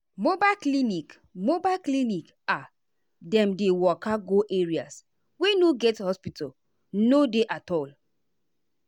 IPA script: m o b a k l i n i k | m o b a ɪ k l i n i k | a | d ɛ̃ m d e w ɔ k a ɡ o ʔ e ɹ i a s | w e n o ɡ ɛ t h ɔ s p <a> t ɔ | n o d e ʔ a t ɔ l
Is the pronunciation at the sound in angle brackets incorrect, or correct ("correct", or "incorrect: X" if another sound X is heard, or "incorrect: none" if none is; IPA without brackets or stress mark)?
incorrect: i